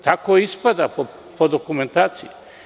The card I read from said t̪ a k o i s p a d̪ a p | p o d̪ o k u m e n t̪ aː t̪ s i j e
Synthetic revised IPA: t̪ a k o i s p a d̪ a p | p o d̪ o k u m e n t̪ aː t̪ s i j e